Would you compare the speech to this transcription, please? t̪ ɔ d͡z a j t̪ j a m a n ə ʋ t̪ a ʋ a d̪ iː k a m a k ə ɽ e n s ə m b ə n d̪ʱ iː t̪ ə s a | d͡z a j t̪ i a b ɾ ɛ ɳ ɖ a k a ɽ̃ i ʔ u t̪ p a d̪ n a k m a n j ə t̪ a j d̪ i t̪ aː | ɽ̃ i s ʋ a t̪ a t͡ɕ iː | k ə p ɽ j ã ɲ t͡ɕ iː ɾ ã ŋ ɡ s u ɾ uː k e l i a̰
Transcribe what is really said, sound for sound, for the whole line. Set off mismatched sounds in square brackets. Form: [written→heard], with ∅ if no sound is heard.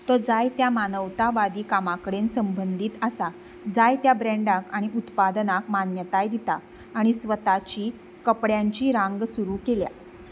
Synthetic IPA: t̪ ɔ d͡z a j t̪ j a m a n ə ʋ t̪ a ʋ a d̪ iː k a m a k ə ɽ e n s ə m b ə n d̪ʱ iː t̪ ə s a | d͡z a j t̪ [i→j] a b ɾ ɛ ɳ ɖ a k a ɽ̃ i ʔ u t̪ p a d̪ n a k m a n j ə t̪ a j d̪ i t̪ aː | ɽ̃ i s ʋ [a→ə] t̪ a t͡ɕ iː | k ə p ɽ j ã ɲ t͡ɕ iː ɾ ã ŋ ɡ s u ɾ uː k e l [i→j] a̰